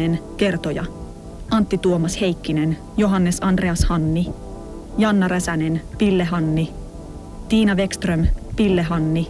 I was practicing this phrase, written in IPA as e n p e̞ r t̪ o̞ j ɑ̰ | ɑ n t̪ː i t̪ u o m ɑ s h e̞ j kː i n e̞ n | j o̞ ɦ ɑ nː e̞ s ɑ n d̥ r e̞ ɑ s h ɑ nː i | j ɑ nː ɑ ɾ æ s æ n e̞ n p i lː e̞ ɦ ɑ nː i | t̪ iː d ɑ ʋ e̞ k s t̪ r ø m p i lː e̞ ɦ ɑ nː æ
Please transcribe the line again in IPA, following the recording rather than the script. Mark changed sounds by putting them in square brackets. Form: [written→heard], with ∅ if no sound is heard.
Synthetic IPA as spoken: e n [p→k] e̞ r t̪ o̞ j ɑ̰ | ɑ n t̪ː i t̪ u o m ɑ s h e̞ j kː i n e̞ n | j o̞ ɦ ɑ nː e̞ s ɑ n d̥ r e̞ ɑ s h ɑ nː i | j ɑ nː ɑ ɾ æ s æ n e̞ n p i lː e̞ ɦ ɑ nː i | t̪ iː [d→n] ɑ ʋ e̞ k s t̪ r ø m p i lː e̞ ɦ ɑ nː [æ→i]